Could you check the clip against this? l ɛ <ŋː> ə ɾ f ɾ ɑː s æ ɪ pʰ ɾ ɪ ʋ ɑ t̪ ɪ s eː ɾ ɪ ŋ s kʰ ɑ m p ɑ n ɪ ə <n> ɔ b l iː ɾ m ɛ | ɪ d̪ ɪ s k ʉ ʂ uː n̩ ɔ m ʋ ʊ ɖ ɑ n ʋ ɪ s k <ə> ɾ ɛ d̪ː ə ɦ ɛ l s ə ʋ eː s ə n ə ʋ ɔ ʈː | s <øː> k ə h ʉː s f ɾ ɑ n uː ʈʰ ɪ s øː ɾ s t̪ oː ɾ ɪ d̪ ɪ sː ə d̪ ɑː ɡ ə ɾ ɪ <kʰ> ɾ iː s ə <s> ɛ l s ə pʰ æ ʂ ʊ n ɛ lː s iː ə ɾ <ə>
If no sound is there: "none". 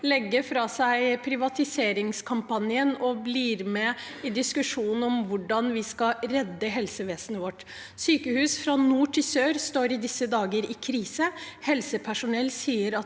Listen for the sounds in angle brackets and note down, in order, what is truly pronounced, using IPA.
ɡː, n, ɑ, yː, kʰ, h, ɑ

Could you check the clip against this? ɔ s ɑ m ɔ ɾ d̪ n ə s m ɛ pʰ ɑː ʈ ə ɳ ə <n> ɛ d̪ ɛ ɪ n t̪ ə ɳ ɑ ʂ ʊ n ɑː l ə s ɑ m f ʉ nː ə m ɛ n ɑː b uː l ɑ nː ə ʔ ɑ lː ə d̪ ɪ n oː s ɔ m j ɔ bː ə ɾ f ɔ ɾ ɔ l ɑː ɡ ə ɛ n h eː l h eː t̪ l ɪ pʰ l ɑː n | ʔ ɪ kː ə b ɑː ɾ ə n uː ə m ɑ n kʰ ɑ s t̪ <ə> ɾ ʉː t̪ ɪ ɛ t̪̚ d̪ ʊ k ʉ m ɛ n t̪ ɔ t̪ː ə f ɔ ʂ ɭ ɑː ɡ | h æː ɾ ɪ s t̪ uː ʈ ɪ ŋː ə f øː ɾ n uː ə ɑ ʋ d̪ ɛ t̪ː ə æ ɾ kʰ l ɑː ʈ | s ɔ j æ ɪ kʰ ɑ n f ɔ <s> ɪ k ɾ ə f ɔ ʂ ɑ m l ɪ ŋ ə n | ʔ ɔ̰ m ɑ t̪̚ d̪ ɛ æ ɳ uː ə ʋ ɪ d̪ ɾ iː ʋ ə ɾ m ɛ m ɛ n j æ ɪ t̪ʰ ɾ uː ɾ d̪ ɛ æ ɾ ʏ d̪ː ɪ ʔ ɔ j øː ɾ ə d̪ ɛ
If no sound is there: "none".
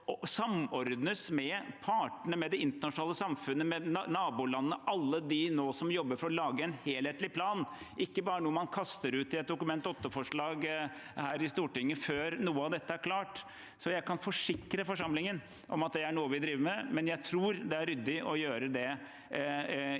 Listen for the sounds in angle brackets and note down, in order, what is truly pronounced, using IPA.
m, ə, ʂ

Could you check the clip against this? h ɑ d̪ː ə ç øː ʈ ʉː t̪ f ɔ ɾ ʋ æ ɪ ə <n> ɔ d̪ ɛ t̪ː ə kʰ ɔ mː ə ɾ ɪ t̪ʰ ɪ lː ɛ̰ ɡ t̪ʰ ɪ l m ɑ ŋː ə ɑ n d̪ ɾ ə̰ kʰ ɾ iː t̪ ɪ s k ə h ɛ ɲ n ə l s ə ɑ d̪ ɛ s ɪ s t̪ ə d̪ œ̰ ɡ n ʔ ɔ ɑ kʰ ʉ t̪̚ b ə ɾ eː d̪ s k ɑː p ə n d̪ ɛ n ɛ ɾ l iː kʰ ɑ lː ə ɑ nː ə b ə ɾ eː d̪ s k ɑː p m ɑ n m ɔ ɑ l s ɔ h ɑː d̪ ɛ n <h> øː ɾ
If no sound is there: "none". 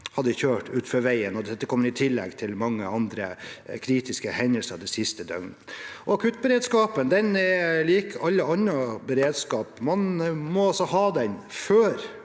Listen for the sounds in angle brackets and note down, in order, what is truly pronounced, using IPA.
n, f

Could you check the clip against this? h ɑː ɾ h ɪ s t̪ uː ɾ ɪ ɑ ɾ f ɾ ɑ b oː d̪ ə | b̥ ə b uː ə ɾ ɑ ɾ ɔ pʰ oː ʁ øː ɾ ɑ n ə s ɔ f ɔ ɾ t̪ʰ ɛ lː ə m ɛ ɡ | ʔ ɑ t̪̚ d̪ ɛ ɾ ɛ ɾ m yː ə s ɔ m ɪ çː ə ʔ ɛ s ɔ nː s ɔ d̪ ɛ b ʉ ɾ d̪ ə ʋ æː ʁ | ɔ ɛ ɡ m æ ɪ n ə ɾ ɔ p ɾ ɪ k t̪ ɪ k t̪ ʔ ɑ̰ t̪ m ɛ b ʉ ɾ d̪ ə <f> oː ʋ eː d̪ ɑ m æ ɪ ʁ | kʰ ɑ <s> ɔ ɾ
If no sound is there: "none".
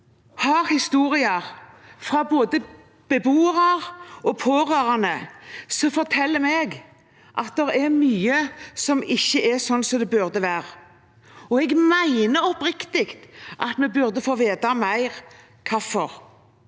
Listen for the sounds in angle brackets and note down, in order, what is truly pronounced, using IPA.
f, f

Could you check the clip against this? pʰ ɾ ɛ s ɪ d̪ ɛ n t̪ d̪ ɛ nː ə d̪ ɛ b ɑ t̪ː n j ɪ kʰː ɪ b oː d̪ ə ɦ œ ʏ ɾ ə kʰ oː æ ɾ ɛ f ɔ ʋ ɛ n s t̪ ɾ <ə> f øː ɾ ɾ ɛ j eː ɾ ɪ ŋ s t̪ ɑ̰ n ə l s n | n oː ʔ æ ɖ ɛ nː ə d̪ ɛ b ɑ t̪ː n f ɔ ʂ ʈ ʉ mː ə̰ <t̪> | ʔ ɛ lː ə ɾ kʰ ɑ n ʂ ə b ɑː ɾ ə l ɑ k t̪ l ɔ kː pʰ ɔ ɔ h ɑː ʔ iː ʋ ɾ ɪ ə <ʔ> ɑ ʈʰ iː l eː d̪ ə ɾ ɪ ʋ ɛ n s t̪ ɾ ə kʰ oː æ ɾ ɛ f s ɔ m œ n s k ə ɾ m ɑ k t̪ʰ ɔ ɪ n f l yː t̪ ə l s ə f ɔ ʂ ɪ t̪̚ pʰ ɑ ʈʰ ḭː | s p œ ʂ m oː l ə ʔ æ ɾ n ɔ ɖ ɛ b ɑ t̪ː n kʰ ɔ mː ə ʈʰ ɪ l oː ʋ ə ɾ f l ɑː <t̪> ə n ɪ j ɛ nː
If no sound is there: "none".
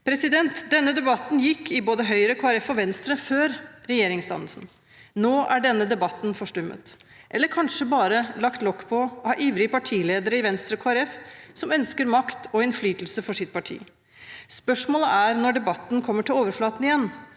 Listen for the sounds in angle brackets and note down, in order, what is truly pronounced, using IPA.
ə, t̪, p, t̪

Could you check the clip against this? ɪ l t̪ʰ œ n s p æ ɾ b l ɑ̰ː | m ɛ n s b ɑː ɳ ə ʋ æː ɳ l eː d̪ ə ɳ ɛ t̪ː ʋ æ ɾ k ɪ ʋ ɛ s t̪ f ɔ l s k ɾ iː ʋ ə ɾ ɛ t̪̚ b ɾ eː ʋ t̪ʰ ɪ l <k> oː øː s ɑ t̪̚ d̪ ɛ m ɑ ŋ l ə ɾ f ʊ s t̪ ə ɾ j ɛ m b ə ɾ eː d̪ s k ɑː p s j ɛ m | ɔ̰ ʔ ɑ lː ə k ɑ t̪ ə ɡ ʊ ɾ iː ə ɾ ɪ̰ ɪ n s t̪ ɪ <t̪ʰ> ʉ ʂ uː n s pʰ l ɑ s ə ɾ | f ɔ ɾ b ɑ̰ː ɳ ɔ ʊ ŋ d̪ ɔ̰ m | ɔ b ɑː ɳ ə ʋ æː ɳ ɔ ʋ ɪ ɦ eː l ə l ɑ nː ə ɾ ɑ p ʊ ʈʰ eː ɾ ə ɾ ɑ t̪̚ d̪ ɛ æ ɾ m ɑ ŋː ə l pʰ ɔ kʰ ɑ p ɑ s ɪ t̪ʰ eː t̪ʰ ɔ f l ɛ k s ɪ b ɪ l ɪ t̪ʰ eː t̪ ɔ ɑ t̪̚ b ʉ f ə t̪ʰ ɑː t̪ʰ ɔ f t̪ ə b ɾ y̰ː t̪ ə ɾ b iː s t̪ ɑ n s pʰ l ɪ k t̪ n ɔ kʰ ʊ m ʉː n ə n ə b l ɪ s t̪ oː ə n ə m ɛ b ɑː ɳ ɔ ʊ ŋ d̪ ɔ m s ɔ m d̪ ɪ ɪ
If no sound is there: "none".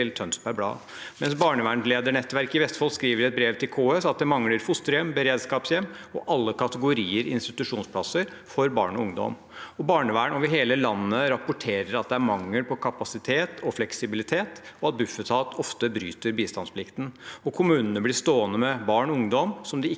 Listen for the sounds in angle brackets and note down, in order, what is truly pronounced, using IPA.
kʰ, t̪

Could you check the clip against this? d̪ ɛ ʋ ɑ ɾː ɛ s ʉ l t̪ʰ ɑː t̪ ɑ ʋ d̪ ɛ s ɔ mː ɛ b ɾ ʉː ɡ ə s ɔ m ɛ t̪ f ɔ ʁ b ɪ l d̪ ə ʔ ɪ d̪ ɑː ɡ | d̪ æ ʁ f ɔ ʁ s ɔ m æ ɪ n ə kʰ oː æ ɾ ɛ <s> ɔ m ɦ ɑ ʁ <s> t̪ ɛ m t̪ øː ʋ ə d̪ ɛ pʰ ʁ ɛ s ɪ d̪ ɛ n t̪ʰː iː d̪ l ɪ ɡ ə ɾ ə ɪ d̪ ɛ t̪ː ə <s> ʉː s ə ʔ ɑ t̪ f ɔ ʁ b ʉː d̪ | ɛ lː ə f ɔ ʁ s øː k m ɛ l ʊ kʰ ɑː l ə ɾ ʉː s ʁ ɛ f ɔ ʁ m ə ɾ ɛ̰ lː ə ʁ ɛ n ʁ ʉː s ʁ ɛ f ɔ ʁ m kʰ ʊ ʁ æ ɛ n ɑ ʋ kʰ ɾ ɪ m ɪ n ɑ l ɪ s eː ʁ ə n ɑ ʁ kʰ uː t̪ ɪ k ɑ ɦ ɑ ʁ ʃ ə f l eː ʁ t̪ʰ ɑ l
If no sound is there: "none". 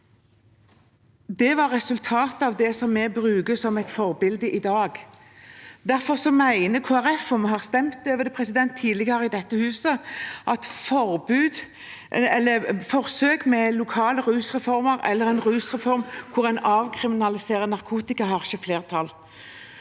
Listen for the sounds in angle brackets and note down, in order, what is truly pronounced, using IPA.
f, s, h

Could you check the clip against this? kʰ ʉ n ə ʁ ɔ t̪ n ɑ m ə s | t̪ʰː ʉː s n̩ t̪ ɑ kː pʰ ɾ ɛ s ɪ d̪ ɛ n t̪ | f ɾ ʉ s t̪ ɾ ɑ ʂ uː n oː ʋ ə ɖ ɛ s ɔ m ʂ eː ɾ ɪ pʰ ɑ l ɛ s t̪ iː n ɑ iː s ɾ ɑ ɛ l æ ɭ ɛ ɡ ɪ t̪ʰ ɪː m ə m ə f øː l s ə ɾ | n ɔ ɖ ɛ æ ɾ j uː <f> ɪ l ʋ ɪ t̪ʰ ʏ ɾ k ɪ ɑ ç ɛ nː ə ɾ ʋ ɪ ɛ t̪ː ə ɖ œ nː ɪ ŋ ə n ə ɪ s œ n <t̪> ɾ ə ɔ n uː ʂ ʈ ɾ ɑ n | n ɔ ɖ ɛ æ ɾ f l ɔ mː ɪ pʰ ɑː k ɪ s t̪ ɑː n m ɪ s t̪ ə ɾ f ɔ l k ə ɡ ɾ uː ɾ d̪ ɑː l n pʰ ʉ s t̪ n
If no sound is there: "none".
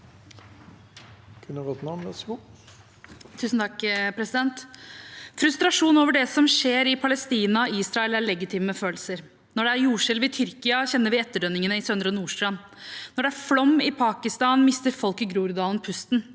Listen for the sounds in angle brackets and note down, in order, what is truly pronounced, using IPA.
ʂ, d̪

